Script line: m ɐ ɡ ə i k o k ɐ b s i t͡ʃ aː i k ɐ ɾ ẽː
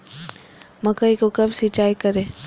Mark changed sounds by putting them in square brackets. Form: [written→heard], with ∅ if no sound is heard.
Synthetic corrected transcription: m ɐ [ɡ→k] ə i k o k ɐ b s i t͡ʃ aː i k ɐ ɾ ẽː